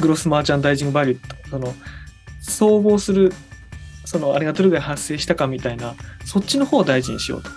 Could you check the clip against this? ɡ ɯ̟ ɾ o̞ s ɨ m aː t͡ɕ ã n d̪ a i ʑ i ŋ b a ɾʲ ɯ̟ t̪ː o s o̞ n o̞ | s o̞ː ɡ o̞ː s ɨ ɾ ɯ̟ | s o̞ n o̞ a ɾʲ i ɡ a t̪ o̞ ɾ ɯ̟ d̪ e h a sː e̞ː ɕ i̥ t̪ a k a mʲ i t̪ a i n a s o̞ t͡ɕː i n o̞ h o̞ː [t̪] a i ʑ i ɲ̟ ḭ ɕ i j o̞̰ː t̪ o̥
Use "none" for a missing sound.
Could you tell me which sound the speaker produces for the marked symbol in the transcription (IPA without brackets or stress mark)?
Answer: d̪